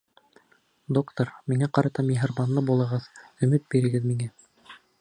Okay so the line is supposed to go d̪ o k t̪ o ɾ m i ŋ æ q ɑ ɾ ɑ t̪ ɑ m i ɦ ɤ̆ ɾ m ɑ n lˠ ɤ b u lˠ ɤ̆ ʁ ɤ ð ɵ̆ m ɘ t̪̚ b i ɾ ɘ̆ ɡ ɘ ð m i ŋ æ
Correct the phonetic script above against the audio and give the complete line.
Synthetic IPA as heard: d̪ o k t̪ o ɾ m i ŋ æ q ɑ ɾ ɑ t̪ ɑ m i ɦ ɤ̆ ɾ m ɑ n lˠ ɤ b u lˠ ɤ̆ ʁ ɤ ð ɵ̆ m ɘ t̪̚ b i ɾ ɘ̆ ɡ ɘ ð m i ŋ æ